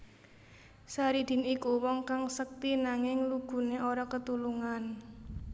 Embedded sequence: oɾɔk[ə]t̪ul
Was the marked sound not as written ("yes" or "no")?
no